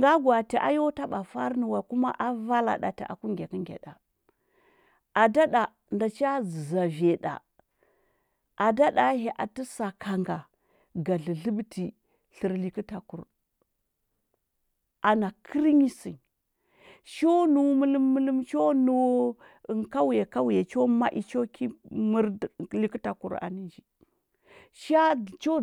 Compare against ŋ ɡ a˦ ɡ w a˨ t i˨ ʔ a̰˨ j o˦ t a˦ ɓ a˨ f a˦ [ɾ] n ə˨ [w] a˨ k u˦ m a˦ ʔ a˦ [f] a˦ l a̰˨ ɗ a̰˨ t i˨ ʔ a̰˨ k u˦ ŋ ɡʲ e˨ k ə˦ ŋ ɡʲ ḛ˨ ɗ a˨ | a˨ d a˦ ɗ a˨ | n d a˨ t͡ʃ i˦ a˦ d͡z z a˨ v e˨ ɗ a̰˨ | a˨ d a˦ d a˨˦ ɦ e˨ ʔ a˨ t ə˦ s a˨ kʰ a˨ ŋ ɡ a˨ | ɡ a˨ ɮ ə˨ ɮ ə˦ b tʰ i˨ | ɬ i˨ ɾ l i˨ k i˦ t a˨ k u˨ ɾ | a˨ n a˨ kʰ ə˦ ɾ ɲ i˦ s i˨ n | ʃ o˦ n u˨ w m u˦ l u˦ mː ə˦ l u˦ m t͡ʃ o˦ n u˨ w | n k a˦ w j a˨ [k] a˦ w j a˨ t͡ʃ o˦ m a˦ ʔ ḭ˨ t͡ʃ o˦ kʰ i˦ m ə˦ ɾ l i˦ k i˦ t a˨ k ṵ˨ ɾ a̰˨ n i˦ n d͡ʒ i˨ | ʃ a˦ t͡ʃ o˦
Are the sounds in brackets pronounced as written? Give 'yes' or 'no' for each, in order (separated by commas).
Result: yes, yes, no, yes